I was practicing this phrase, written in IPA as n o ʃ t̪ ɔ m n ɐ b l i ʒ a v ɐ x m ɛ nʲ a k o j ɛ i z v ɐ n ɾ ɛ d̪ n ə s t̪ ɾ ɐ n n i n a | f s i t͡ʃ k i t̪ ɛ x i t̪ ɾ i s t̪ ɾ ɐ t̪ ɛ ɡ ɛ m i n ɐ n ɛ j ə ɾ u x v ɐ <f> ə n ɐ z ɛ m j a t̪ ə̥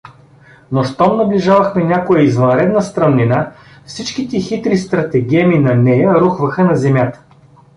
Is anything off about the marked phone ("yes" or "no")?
yes